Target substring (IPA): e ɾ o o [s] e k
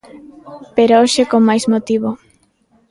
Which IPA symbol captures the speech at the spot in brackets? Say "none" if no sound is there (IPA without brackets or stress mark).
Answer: ʃ